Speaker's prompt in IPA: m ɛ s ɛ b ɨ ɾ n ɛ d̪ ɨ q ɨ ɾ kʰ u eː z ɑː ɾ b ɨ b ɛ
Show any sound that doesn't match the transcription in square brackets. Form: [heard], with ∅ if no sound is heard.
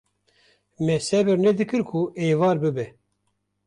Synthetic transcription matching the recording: m ɛ s ɛ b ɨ ɾ n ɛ d̪ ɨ [k] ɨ ɾ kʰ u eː [v] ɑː ɾ b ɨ b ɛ